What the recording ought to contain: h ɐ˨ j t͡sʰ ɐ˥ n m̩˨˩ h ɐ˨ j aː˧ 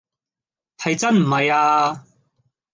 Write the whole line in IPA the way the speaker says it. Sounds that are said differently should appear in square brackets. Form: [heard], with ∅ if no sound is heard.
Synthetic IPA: h ɐ˨ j [t͡s] ɐ˥ n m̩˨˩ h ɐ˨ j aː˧